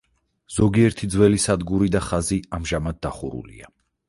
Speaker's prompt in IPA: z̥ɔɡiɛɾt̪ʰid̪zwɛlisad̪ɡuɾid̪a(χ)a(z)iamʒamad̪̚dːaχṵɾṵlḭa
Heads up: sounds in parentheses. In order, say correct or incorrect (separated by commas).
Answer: correct, correct